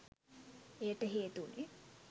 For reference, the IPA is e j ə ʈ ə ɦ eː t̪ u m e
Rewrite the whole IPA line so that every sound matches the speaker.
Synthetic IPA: e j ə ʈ ə ɦ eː t̪ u n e